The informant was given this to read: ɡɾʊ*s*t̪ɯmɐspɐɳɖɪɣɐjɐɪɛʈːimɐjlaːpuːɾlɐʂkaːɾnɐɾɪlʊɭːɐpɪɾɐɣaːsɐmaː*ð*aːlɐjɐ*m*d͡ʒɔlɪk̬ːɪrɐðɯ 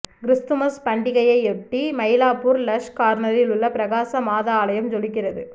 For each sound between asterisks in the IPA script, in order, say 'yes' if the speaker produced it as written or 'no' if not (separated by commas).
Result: yes, yes, yes